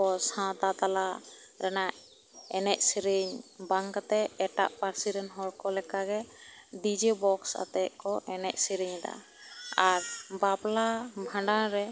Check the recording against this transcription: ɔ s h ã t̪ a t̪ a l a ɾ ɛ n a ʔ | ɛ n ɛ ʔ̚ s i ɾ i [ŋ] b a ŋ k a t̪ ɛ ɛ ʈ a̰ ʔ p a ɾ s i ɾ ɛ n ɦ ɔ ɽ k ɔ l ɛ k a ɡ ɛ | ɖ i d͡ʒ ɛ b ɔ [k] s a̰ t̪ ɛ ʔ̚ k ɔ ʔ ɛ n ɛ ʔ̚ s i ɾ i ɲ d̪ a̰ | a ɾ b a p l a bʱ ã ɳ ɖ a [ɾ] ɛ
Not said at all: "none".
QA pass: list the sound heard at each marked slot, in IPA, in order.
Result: ɲ, k, ɾ

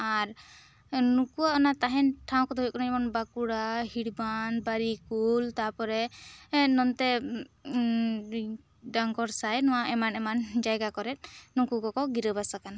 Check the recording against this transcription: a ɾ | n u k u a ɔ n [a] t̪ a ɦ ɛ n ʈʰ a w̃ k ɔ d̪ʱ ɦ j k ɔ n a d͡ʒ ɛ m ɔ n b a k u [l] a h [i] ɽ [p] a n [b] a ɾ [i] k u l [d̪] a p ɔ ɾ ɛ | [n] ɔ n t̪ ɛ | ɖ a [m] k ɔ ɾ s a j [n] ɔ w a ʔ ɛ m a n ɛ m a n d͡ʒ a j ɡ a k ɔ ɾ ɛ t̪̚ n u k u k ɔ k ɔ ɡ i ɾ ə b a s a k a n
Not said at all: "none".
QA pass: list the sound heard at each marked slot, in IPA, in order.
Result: a, ɽ, i, b, b, i, t̪, n, ŋ, n

